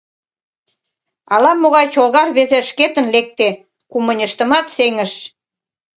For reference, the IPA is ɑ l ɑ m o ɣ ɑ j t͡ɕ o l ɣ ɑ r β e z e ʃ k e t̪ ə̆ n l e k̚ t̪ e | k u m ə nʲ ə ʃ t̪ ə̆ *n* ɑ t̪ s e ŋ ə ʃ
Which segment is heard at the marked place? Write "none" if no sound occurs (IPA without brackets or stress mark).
m